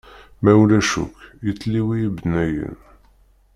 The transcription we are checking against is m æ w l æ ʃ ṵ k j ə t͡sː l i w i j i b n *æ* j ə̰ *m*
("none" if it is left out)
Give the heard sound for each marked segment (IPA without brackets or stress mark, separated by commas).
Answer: æ, n